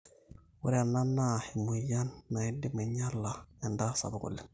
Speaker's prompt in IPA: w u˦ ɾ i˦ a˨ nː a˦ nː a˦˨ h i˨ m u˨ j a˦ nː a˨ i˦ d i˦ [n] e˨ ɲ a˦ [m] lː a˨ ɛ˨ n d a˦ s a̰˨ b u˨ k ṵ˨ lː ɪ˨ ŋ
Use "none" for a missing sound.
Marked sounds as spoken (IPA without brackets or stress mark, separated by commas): m, none